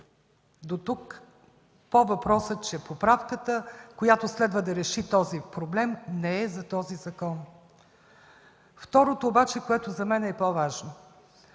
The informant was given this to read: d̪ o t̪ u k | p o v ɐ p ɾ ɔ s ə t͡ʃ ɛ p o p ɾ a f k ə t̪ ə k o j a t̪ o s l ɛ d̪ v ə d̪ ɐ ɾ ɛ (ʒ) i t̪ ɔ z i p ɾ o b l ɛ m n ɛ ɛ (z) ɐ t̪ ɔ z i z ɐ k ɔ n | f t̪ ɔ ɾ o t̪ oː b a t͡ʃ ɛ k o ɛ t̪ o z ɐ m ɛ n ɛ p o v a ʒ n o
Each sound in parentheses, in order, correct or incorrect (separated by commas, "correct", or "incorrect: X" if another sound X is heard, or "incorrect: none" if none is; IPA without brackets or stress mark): incorrect: ʃ, correct